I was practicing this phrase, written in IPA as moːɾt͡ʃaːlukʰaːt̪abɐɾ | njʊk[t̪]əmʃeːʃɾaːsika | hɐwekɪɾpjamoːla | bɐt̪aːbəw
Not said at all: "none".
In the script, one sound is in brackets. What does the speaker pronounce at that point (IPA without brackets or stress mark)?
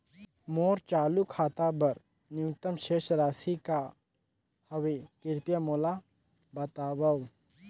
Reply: t̪